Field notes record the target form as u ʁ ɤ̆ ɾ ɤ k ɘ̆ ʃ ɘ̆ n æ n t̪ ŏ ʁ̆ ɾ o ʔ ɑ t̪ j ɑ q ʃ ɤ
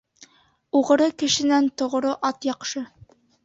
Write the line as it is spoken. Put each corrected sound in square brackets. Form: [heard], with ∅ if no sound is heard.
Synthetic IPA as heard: u ʁ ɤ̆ ɾ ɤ k ɘ̆ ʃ ɘ̆ n æ n t̪ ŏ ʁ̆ ɾ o ʔ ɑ t̪ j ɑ q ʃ ɤ